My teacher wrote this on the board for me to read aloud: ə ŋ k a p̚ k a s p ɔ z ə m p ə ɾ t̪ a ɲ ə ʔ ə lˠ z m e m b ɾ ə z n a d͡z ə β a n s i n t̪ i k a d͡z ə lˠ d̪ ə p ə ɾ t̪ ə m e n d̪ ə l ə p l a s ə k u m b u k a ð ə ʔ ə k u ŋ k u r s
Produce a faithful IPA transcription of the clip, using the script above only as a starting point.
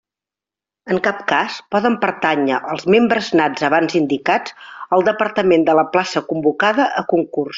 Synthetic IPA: ə ŋ k a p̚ k a s p ɔ ð ə m p ə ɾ t̪ a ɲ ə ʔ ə lˠ z m e m b ɾ ə z n a d͡z ə β a n z i n d̪ i k a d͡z ə lˠ d̪ ə p ə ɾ t̪ ə m e n d̪ ə l ə p l a s ə k u m b u k a ð ə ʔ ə k u ŋ k u r s